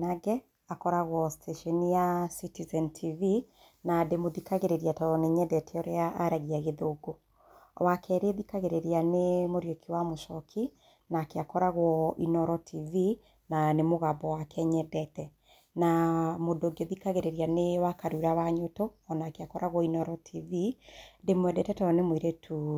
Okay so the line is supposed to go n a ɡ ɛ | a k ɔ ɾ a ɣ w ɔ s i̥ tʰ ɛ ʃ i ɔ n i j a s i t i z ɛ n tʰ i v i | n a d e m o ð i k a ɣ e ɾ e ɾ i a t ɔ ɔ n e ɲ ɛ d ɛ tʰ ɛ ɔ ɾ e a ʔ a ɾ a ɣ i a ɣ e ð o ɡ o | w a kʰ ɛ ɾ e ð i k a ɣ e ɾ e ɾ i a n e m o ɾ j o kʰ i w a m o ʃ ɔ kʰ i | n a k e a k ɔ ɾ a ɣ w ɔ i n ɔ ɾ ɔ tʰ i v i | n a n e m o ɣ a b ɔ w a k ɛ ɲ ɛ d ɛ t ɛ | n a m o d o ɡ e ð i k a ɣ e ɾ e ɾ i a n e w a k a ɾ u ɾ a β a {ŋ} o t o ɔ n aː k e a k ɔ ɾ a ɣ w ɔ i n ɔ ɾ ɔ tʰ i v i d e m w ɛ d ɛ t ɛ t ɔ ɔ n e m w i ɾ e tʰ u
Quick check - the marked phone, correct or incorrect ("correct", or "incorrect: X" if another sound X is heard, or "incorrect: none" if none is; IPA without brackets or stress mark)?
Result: incorrect: ɲ